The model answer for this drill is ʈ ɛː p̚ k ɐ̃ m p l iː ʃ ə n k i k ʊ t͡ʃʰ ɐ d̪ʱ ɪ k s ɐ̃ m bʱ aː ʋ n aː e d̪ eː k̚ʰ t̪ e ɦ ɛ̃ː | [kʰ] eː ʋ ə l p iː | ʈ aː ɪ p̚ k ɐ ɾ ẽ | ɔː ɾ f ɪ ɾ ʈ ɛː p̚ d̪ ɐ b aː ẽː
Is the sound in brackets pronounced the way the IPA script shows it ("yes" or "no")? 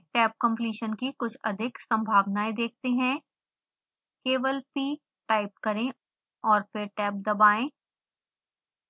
no